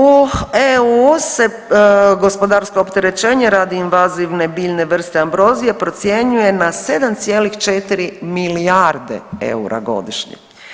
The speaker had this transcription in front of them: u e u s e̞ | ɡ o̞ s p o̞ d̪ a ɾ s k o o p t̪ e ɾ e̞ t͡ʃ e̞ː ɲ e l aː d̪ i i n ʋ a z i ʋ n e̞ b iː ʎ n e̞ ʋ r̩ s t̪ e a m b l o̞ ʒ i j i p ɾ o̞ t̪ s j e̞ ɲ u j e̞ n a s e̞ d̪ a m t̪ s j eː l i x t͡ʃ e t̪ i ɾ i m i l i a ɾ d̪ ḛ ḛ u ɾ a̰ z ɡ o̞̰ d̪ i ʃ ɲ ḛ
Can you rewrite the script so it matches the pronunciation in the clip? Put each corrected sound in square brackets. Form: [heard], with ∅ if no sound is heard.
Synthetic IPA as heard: u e u s e̞ | ɡ o̞ s p o̞ d̪ a ɾ s k o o p t̪ e ɾ e̞ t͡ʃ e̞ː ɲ e [ɾ] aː d̪ i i n ʋ a z i ʋ n e̞ b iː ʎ n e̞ ʋ r̩ s t̪ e a m b [ɾ] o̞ [z] i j [e] p ɾ o̞ t̪ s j e̞ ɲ u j e̞ n a s e̞ d̪ a m t̪ s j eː l i x t͡ʃ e t̪ i ɾ i m i l i a ɾ d̪ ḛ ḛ u ɾ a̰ [∅] ɡ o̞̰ d̪ i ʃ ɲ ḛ